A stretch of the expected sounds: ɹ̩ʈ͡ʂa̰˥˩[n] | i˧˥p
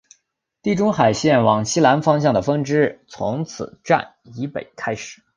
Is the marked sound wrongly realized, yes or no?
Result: no